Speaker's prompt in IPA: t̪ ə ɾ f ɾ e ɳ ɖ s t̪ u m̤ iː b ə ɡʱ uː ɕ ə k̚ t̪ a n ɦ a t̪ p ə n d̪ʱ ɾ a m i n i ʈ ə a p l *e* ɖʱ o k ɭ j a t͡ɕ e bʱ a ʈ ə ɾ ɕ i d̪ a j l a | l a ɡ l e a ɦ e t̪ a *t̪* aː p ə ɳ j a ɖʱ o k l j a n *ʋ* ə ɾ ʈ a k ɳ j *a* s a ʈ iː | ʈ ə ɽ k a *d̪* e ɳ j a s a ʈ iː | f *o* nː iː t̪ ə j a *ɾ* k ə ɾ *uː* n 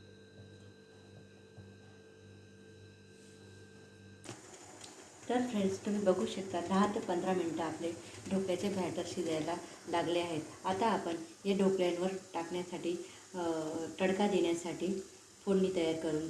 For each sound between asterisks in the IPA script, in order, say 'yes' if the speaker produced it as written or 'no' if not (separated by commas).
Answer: yes, yes, yes, yes, yes, yes, yes, yes